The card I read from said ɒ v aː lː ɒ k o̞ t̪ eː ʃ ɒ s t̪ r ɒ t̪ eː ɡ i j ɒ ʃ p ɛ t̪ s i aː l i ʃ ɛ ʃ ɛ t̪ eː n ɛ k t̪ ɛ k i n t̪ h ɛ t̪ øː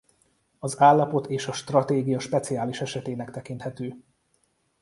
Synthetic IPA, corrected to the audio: ɒ z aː lː ɒ p o̞ t̪ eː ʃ ɒ ʃ t̪ r ɒ t̪ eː ɡ i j ɒ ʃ p ɛ t̪ s i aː l i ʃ ɛ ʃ ɛ t̪ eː n ɛ k t̪ ɛ k i n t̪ h ɛ t̪ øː